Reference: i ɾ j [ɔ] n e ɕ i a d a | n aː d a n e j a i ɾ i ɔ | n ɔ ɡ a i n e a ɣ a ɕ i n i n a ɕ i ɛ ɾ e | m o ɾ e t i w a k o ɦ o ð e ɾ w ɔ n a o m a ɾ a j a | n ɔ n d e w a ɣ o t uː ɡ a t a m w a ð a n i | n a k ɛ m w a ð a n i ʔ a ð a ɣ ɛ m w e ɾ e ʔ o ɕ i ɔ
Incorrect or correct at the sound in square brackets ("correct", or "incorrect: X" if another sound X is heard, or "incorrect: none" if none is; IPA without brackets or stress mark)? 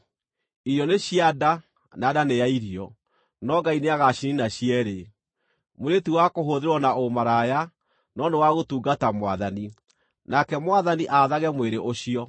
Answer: correct